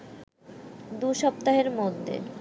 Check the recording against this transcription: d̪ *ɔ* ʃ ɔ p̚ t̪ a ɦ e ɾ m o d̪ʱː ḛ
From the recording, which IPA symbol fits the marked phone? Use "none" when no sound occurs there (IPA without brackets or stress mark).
u